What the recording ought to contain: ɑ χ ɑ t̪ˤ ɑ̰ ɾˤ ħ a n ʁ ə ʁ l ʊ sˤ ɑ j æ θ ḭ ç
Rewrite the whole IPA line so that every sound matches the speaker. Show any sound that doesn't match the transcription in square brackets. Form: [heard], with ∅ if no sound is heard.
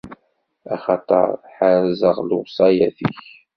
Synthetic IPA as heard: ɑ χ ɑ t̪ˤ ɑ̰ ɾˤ ħ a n [z] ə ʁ l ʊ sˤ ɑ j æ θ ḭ ç